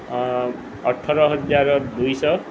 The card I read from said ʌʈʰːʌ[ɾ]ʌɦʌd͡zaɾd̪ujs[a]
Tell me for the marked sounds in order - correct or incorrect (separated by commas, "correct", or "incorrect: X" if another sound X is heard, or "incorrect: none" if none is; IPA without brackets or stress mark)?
correct, incorrect: ʌ